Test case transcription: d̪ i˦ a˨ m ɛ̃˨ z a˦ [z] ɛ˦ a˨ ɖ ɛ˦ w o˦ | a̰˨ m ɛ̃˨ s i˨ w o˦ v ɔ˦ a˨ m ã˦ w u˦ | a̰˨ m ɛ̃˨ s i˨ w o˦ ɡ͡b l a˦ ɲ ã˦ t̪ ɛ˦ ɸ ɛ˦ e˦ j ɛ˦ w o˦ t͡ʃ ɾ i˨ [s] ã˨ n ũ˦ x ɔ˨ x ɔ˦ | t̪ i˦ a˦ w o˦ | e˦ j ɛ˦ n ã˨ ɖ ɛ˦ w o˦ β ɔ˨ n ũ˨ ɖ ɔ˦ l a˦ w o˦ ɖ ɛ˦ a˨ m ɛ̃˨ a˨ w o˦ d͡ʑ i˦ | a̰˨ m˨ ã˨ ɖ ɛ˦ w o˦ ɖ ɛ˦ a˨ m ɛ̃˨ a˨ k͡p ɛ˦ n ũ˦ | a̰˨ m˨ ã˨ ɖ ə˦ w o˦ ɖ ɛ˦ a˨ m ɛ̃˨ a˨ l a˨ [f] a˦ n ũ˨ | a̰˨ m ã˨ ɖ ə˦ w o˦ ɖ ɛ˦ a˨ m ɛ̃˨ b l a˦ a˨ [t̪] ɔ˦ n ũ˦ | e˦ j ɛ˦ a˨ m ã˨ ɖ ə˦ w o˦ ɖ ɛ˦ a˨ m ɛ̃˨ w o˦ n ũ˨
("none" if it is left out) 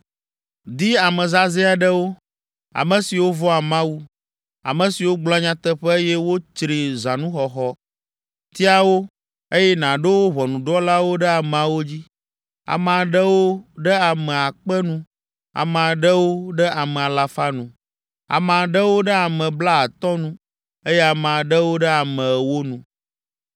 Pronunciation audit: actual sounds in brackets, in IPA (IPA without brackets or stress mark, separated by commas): z, z, f, t̪